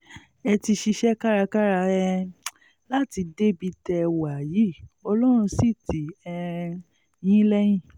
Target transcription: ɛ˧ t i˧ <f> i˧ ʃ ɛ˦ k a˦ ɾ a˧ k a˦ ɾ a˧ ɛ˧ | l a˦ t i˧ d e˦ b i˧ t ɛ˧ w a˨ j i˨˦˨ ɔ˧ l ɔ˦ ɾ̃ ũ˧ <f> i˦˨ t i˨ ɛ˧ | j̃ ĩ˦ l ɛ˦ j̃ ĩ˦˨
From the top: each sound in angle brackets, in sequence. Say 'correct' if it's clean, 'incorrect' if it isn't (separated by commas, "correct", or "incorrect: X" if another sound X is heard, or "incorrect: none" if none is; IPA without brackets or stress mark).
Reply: incorrect: ʃ, incorrect: s